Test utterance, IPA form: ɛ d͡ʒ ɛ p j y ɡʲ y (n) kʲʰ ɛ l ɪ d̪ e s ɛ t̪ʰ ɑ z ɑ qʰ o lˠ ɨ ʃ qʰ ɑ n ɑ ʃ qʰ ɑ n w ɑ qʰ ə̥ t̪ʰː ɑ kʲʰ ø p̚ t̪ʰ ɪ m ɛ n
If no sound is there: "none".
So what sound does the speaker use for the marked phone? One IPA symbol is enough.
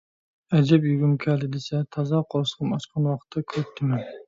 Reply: m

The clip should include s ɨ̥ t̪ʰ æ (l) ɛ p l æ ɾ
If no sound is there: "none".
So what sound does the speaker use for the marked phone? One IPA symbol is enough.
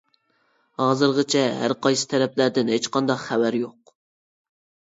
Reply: ɾ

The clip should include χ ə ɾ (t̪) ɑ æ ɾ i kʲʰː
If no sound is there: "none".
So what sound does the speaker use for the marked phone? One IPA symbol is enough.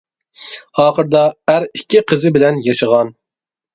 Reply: d̪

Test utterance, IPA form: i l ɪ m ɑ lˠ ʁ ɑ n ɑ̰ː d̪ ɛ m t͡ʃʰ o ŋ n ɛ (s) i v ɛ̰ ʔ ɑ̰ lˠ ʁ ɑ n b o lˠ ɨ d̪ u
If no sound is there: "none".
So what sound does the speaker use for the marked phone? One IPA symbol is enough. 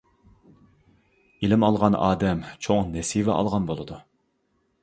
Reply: s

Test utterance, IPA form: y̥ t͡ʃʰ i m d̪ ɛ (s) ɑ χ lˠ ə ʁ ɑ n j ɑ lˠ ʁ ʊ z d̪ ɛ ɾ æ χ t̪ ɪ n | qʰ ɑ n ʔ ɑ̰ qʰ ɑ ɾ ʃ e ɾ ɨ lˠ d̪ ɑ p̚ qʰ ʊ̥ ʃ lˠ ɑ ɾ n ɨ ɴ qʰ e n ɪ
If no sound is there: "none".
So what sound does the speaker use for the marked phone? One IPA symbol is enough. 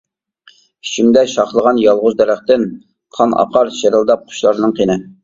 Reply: ʃ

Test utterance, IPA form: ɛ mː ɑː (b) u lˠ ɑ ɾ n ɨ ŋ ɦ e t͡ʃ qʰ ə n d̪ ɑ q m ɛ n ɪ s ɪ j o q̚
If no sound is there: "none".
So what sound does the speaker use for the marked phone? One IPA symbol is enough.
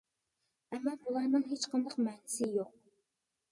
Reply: b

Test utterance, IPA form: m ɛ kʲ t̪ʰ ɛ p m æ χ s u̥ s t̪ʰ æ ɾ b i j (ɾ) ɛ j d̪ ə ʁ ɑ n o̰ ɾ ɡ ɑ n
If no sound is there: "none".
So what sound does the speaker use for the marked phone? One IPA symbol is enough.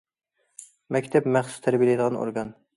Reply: l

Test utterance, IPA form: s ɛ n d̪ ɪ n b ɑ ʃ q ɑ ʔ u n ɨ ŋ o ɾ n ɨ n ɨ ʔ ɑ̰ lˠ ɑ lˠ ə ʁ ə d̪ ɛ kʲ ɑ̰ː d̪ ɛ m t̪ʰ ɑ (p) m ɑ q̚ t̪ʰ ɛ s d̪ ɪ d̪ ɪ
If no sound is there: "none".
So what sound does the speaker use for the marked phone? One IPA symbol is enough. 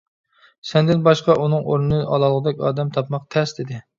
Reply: p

